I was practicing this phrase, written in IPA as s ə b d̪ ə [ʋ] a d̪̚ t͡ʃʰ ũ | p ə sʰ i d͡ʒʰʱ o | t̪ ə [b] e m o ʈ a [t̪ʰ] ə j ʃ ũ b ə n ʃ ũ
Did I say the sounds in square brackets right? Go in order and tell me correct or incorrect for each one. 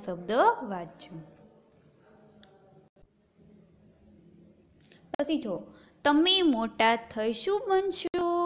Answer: correct, incorrect, correct

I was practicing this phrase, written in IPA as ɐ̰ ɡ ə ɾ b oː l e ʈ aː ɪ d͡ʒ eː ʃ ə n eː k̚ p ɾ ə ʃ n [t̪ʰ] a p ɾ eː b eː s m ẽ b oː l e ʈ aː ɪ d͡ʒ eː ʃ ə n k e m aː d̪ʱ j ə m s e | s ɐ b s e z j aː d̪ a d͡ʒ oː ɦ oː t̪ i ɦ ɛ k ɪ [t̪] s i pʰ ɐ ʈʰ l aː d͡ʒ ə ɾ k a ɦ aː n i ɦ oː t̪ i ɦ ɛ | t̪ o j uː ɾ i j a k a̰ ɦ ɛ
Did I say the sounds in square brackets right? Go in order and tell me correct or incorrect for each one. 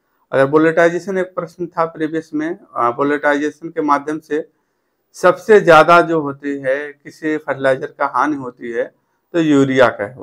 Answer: correct, incorrect

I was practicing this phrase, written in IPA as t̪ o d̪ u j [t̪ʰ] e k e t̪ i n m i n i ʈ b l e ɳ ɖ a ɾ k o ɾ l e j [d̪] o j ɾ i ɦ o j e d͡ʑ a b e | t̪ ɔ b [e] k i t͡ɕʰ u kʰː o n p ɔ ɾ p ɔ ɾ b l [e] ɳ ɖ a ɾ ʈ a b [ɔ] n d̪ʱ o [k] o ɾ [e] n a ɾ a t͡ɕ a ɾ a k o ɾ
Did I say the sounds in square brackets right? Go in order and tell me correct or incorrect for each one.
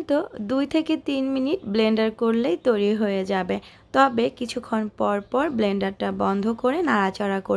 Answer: correct, incorrect, correct, correct, correct, correct, correct

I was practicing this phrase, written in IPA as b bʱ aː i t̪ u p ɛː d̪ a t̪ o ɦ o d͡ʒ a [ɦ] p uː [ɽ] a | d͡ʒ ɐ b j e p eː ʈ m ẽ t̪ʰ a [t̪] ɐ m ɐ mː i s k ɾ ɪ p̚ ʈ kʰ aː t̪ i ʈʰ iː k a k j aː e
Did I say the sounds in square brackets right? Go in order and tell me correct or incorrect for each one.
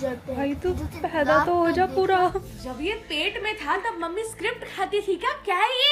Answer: incorrect, incorrect, correct

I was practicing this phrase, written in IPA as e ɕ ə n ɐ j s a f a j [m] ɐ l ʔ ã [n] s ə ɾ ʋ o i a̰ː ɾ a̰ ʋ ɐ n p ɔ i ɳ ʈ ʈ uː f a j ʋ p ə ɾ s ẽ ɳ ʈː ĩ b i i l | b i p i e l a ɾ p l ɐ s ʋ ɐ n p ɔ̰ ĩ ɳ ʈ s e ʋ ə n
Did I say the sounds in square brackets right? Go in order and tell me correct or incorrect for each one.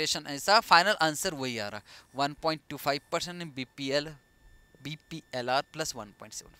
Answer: incorrect, correct

